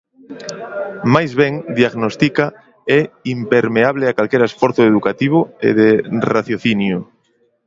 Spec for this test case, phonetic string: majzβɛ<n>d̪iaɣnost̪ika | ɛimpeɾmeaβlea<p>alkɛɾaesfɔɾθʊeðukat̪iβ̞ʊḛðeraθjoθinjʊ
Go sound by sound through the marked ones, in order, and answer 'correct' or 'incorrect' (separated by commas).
incorrect, incorrect